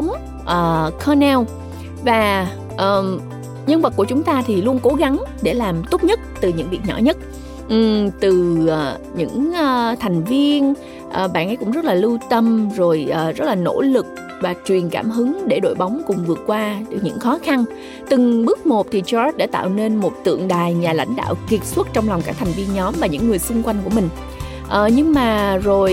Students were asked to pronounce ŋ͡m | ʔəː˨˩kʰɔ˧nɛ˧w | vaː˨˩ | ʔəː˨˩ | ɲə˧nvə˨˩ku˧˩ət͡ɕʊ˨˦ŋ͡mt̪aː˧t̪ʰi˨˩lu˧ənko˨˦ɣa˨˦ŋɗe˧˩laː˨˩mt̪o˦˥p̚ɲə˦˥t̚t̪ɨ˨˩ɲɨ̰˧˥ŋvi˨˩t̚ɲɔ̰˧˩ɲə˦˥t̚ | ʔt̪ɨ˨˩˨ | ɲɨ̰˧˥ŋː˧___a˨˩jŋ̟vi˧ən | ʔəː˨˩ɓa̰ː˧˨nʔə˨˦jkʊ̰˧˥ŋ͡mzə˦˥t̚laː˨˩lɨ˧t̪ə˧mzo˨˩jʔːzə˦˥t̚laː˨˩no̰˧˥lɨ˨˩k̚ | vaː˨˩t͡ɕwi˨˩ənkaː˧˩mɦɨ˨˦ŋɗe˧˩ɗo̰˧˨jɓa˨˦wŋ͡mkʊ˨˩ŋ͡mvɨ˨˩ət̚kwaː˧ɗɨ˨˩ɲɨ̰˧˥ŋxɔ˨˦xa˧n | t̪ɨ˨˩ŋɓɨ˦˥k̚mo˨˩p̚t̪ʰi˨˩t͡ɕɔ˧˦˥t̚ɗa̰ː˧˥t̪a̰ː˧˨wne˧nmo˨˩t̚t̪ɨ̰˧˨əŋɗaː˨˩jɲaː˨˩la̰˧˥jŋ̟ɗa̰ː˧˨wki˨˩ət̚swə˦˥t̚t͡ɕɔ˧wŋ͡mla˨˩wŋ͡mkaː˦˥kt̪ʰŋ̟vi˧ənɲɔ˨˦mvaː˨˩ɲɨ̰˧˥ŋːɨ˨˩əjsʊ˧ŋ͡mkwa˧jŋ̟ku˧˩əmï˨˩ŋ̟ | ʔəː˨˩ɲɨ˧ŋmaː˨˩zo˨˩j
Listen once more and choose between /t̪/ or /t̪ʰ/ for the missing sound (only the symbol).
t̪ʰ